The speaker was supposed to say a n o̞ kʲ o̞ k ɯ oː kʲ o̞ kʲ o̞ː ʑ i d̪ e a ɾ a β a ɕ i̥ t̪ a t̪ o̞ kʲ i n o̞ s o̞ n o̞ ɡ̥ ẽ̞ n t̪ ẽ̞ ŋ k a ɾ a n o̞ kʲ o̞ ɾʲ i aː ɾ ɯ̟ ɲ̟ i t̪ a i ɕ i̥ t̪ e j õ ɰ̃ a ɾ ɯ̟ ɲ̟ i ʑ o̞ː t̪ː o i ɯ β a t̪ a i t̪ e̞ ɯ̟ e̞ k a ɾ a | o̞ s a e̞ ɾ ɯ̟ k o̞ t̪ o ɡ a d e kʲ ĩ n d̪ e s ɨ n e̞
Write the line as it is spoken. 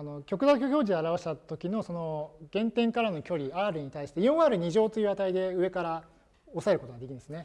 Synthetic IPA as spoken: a n o̞ kʲ o̞ k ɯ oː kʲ o̞ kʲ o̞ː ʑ i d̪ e a ɾ a β a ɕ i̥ t̪ a t̪ o̞ kʲ i n o̞ s o̞ n o̞ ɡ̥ ẽ̞ n t̪ ẽ̞ ŋ k a ɾ a n o̞ kʲ o̞ ɾʲ i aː ɾ ɯ̟ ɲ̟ i t̪ a i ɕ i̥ t̪ e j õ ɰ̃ a ɾ ɯ̟ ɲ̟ i ʑ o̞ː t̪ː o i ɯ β a t̪ a i d̪ e̞ ɯ̟ e̞ k a ɾ a | o̞ s a e̞ ɾ ɯ̟ k o̞ t̪ o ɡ a d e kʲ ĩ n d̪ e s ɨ n e̞